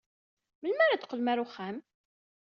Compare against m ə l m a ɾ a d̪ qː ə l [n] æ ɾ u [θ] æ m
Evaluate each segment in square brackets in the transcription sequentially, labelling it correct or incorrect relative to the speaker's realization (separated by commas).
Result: incorrect, incorrect